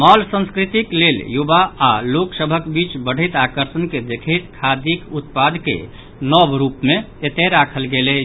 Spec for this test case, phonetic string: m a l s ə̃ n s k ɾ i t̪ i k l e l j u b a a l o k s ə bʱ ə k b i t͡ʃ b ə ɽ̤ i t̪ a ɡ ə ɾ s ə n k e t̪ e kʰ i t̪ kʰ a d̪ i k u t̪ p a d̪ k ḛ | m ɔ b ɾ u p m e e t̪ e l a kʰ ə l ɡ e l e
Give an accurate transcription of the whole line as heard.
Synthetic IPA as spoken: m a l s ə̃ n s k ɾ i t̪ i k l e l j u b a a l o k s ə bʱ ə k b i t͡ʃ b ə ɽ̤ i t̪ a k ə ɾ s ə n k e d̪ e kʰ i t̪ kʰ a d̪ i k u t̪ p a d̪ k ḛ | n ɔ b ɾ u p m e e t̪ e ɾ a kʰ ə l ɡ e l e